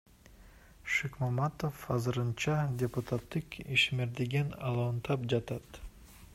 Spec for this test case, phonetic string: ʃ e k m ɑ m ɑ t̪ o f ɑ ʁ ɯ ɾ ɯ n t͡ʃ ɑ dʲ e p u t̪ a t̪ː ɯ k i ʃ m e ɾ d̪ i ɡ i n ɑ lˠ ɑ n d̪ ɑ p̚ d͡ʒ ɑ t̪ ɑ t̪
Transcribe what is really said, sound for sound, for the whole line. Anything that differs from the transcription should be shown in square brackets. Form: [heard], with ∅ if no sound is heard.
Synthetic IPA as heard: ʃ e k m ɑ m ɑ t̪ o f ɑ [z] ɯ ɾ ɯ n t͡ʃ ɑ dʲ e p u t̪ a t̪ː ɯ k i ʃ m e ɾ d̪ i ɡ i n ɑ lˠ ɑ n [t̪] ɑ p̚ d͡ʒ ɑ t̪ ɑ t̪